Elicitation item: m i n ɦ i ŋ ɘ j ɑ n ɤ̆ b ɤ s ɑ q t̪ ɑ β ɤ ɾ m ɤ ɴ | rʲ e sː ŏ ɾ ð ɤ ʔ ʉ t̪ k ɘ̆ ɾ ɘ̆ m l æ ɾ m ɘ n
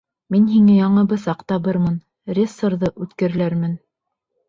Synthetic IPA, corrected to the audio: m i n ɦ i ŋ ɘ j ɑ ɴ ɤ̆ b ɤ s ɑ q t̪ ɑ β ɤ ɾ m ɤ n | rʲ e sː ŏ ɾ ð ɤ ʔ ʉ t̪ k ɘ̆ ɾ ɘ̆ l æ ɾ m ɘ n